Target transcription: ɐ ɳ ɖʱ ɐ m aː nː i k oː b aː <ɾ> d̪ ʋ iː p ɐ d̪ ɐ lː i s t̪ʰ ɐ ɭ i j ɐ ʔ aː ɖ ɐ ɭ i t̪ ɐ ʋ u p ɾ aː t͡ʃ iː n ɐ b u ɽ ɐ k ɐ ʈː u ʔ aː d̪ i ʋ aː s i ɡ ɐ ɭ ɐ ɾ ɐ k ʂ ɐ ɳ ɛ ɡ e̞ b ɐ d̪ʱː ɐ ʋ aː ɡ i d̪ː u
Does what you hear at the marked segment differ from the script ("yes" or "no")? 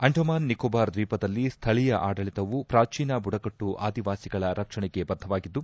no